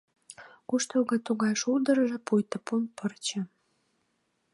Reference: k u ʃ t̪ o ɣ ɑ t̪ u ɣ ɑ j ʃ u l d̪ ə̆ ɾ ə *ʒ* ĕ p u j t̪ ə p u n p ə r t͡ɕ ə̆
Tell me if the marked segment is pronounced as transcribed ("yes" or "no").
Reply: yes